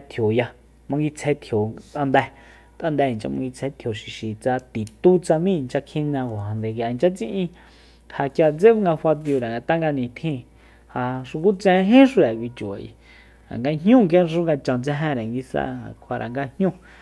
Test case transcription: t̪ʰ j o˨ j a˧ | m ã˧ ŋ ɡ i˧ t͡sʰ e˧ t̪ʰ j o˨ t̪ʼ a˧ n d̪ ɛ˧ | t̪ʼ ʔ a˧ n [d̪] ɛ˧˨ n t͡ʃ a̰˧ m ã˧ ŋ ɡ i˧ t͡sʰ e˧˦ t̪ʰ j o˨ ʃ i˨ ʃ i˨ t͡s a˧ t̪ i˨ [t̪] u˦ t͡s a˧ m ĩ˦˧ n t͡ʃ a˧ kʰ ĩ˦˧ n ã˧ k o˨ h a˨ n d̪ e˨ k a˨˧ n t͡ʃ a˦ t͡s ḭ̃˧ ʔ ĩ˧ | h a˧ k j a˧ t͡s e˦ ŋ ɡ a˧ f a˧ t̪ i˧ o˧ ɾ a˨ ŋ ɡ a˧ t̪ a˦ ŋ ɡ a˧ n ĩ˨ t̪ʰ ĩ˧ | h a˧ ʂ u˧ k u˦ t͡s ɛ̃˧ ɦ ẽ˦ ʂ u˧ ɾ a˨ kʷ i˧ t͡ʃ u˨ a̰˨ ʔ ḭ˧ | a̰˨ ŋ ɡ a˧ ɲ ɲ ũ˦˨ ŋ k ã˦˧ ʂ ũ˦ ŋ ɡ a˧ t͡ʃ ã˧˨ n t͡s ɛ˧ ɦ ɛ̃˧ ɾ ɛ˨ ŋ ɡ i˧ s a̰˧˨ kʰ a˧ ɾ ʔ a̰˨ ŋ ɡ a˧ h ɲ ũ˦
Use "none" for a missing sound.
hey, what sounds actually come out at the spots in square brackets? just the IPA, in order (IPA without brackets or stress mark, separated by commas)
d̪, t̪